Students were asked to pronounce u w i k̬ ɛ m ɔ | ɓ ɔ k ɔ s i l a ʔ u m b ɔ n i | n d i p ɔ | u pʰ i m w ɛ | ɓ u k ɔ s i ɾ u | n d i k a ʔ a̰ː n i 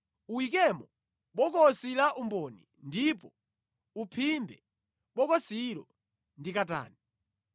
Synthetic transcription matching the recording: u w i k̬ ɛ m ɔ | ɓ ɔ k ɔ s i l a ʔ u m b ɔ n i | n d i p ɔ | u pʰ i m b ɛ | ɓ ɔ k ɔ s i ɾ ɔ | n d i k a t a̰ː n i